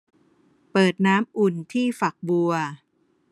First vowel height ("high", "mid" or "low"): mid